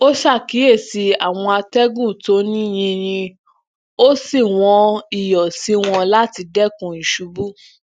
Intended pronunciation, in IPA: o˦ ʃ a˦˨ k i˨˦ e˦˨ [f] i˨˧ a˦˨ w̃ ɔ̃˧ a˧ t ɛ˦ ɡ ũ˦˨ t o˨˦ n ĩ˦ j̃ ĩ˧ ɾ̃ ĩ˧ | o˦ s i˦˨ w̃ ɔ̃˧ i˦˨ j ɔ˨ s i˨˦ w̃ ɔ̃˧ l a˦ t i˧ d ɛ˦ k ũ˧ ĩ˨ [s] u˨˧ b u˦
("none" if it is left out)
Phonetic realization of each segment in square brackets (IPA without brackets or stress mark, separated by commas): s, ʃ